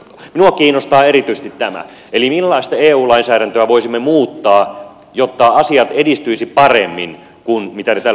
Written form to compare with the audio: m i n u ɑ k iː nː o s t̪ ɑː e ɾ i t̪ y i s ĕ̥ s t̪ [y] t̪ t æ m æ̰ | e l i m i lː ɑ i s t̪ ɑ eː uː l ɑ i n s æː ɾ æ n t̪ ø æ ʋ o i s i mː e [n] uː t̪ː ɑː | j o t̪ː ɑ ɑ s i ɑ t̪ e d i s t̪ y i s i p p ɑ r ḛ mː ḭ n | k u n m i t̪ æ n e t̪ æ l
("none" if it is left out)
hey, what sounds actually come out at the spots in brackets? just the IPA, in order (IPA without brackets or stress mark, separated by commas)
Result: i, m